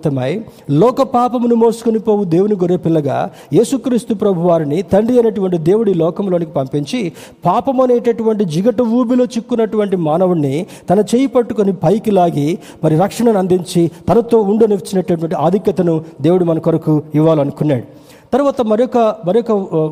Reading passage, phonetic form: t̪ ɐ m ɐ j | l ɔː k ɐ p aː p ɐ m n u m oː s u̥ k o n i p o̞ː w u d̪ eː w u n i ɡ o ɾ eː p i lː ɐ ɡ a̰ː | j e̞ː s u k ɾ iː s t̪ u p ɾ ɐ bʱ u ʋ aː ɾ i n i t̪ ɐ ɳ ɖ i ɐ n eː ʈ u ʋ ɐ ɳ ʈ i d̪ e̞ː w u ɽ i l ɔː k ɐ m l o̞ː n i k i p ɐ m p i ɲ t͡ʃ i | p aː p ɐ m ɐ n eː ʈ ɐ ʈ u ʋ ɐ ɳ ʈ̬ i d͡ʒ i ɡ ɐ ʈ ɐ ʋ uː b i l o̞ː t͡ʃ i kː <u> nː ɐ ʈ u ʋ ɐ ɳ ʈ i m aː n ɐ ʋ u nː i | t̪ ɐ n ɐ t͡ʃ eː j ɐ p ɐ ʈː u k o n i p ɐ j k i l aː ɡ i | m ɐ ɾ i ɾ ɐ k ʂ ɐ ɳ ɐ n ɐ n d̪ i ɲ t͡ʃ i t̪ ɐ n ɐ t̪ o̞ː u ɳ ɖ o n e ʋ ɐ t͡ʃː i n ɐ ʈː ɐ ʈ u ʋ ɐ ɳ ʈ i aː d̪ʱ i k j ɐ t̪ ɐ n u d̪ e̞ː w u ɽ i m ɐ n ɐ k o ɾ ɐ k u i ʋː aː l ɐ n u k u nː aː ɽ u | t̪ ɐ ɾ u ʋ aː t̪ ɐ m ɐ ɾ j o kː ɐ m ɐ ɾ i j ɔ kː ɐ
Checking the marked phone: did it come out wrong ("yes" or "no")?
no